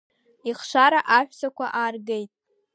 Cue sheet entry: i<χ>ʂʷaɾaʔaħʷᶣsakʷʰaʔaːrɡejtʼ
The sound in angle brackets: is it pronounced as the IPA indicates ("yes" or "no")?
yes